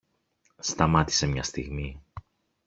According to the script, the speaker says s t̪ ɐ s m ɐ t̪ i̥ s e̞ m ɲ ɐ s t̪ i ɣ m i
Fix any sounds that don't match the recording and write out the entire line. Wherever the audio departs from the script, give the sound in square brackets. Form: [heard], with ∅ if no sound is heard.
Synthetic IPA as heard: s t̪ ɐ [∅] m ɐ t̪ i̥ s e̞ m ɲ ɐ s t̪ i ɣ m i